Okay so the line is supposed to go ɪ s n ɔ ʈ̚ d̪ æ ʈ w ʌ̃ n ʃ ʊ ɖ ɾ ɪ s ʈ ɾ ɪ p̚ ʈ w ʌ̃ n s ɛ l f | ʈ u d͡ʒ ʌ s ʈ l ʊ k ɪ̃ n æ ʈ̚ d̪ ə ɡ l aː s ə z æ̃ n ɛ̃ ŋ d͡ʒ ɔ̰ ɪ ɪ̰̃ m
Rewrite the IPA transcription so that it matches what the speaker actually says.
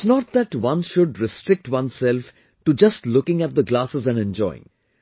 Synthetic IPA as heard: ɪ s n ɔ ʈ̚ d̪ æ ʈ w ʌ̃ n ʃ ʊ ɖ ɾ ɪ s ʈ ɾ ɪ k̚ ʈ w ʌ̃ n s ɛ l f | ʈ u d͡ʒ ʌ s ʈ l ʊ k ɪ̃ ŋ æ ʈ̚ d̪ ə ɡ l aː s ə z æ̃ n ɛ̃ n d͡ʒ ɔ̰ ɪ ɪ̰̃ ŋ